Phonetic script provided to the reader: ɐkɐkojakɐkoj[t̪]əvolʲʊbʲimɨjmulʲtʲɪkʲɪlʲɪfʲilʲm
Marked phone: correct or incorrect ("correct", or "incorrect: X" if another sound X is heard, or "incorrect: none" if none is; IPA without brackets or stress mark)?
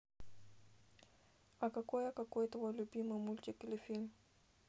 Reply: correct